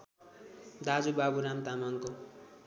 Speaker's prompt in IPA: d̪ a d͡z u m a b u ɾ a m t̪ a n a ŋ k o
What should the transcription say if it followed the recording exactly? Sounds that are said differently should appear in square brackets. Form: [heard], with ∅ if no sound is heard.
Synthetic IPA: d̪ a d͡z u [b] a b u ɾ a m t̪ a [m] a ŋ k o